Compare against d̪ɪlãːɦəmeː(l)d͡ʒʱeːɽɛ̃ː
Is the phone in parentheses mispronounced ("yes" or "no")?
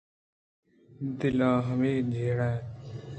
yes